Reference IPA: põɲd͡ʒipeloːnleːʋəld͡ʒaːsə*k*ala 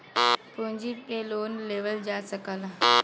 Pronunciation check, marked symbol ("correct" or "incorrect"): correct